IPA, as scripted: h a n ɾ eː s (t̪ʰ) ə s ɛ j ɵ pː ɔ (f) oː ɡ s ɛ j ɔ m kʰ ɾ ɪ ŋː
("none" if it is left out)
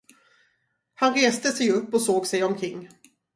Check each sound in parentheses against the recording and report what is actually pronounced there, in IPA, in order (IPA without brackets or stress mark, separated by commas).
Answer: t̪, s